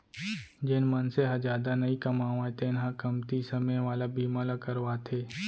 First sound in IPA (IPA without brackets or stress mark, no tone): d͡ʒ